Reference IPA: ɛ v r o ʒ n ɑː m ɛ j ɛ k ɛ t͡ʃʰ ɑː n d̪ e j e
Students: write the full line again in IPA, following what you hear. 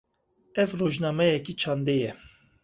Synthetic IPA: ɛ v r o ʒ n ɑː m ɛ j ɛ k i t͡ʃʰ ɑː n d̪ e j ɛ